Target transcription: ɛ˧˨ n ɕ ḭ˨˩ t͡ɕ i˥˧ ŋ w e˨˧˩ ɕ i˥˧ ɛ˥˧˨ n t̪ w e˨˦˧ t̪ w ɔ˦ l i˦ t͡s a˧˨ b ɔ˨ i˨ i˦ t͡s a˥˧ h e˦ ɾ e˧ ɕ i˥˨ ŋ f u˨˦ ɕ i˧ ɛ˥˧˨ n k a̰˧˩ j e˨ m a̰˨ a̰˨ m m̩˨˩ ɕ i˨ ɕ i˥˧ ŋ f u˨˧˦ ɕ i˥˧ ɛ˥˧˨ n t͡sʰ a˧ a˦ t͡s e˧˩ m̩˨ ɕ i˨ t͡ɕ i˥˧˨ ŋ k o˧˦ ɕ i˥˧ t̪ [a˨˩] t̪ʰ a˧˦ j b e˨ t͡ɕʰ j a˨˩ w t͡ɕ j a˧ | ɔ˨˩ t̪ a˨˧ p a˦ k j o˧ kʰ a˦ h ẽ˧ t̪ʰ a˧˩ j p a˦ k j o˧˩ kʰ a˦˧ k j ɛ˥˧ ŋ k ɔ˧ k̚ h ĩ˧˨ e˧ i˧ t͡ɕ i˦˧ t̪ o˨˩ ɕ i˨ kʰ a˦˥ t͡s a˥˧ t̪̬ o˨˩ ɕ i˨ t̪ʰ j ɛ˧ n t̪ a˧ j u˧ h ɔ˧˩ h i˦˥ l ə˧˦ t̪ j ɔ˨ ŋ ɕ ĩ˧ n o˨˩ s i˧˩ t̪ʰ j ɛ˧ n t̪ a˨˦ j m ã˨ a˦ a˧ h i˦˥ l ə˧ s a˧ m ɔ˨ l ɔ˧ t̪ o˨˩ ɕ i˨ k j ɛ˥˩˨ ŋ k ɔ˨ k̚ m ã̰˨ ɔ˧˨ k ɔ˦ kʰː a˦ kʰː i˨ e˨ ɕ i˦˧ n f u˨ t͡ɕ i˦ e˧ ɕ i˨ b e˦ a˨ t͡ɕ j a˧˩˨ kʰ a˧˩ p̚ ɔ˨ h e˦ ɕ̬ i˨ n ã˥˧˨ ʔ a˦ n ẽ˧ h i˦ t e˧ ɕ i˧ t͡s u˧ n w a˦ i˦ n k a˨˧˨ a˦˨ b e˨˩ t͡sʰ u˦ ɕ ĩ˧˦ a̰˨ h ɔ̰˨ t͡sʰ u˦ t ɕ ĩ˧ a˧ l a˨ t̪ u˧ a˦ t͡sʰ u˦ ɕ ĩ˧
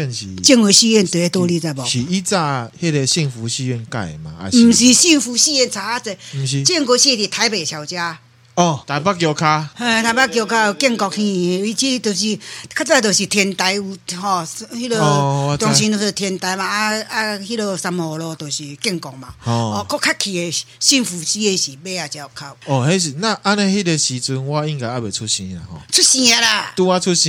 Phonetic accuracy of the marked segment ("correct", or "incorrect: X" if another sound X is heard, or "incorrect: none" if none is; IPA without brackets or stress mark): incorrect: i˨˩